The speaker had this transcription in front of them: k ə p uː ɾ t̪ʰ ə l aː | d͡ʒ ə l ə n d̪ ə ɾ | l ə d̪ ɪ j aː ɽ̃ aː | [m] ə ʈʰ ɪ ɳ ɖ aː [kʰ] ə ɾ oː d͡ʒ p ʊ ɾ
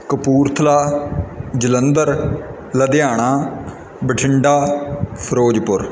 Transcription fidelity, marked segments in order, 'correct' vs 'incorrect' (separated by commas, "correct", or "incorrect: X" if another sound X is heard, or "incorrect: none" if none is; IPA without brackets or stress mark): incorrect: b, incorrect: pʰ